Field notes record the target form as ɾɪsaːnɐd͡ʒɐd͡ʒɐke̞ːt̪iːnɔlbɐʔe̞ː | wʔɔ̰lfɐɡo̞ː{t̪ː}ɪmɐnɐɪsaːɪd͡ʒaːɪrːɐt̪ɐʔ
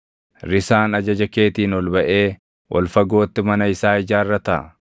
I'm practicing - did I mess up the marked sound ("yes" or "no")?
no